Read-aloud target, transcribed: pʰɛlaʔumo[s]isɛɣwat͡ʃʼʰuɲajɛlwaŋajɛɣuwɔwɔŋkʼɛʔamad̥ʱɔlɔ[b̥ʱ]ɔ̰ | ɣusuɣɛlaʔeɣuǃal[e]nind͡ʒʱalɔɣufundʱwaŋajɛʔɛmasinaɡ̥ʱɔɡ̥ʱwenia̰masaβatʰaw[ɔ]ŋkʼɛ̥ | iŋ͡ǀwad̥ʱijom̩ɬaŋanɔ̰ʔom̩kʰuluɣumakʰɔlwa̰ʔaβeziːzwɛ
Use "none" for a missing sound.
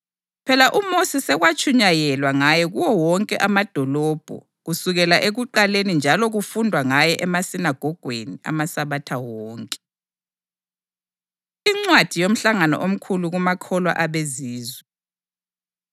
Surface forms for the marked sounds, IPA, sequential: s, b̥ʱ, e, ɔː

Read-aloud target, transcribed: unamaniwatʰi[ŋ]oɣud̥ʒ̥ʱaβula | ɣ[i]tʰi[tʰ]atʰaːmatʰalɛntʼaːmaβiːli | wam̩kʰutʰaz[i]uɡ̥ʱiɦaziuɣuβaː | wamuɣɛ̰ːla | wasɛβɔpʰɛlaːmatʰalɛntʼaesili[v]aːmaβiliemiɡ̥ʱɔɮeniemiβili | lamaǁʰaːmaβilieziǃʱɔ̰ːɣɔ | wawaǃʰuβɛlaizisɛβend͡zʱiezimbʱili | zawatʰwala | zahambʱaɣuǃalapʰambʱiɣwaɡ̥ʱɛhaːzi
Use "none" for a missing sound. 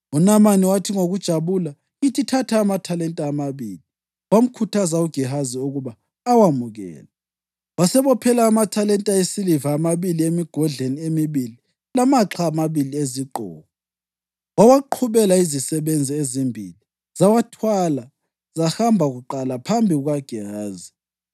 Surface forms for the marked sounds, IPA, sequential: ŋ, i, tʰ, a, v

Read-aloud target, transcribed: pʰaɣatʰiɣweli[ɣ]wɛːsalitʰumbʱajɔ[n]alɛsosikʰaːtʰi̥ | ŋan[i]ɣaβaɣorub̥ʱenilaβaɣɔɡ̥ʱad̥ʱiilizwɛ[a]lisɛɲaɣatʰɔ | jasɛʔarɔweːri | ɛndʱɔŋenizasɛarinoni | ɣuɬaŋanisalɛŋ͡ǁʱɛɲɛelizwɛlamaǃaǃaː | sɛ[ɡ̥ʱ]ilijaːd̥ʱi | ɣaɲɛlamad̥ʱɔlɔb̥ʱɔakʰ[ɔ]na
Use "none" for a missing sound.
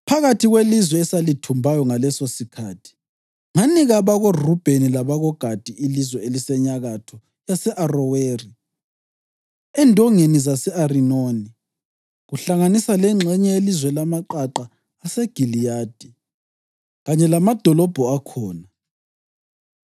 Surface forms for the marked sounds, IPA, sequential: z, ŋ, i, e, ɡ̥ʱ, ɔː

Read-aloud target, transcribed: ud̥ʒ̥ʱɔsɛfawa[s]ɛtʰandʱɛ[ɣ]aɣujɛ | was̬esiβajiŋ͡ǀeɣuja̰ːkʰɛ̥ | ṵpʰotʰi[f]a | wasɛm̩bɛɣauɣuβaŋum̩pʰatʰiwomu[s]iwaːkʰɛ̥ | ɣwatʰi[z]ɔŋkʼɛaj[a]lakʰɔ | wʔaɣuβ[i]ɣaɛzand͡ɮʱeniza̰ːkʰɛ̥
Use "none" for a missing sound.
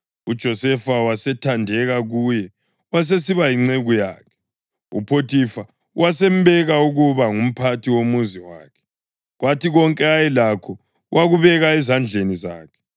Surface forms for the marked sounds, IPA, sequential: s, ɣ, f, z, ɣ, ɛ, ɛ

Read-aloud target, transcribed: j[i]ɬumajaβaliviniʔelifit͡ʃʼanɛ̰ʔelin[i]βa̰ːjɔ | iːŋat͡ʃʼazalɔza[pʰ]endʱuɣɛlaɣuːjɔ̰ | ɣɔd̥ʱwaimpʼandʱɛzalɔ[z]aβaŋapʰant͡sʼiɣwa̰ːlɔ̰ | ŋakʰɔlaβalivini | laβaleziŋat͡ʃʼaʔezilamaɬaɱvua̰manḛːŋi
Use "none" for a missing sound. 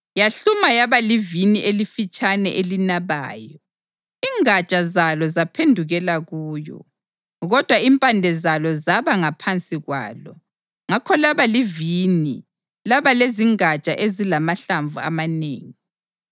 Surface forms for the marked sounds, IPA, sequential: a, a, pʰ, z

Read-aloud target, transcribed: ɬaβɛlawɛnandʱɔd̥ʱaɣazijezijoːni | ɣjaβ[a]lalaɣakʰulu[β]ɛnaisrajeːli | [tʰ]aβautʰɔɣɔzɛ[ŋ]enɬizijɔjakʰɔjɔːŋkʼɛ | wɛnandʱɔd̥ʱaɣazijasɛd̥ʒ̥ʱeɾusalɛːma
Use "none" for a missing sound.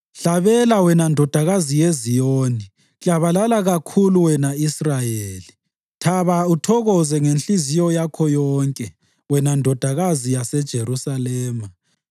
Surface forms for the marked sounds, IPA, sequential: a, w, tʰ, ŋ

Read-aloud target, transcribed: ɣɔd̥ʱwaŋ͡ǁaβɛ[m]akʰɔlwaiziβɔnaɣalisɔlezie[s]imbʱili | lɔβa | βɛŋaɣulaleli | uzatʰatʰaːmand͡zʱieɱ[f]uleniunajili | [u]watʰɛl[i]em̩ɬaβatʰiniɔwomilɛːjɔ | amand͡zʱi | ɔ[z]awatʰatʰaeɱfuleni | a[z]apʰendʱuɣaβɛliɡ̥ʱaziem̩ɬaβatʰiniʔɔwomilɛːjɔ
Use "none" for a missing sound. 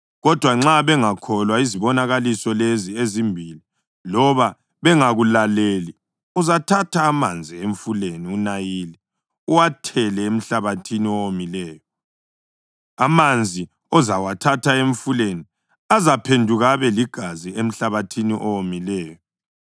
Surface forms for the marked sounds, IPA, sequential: ŋ, z, f, u, ɛ, z, z

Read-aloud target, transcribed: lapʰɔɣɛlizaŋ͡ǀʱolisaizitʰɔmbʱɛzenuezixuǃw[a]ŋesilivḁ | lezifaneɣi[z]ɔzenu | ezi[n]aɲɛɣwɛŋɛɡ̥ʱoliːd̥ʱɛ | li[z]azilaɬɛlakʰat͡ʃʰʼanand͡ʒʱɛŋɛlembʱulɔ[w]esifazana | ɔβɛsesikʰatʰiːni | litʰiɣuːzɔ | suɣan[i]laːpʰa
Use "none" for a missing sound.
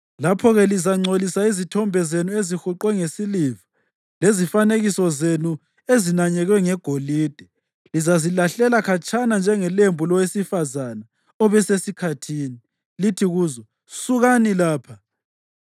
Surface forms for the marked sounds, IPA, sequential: ɛ, s, n, z, w, i

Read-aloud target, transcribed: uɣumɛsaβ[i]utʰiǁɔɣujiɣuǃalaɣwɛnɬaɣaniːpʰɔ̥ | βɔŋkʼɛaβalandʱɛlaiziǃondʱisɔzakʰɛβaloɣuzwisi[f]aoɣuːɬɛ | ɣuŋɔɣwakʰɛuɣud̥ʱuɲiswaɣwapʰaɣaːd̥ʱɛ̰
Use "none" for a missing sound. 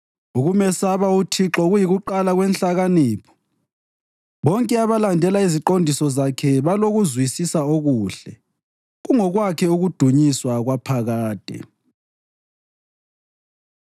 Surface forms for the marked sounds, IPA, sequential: a, s

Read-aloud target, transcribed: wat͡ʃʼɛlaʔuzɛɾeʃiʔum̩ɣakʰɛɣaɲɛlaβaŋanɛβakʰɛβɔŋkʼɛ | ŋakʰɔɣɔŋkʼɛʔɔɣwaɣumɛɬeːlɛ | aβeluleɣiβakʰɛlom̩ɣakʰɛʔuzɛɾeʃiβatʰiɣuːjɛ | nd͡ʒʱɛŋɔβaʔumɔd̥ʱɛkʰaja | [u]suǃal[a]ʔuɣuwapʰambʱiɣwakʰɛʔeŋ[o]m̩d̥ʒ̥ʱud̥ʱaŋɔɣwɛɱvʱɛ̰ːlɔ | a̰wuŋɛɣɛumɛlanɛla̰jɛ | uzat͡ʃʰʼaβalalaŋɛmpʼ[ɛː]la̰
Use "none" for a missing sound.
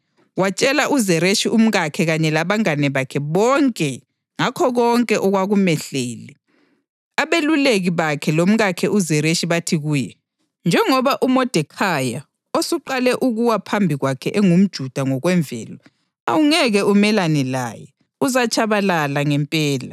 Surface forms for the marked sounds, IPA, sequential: o, ɛ, u, ɛː

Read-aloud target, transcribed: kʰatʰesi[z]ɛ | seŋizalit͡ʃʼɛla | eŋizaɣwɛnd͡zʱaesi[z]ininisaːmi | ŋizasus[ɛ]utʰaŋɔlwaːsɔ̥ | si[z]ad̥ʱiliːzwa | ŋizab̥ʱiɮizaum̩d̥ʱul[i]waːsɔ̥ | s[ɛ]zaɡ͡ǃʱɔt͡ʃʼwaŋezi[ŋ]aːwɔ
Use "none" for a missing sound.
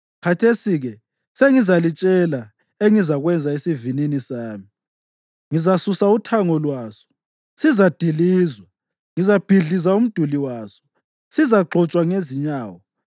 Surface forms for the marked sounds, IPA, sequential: ɣ, v, a, z, i, i, ɲ

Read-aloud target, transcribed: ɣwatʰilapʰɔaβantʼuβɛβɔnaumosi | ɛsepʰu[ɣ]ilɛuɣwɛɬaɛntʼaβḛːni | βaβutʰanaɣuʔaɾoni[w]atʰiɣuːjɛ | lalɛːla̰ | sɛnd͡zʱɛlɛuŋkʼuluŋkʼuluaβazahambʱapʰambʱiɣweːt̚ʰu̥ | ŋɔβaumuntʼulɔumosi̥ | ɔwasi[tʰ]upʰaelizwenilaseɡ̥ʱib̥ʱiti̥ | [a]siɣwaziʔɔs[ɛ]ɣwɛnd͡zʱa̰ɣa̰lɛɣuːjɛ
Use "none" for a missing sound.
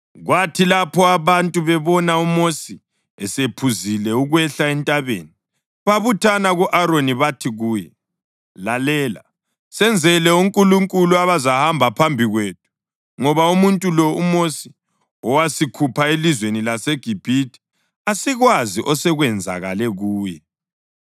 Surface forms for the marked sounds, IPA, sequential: z, β, kʰ, a, ɛ

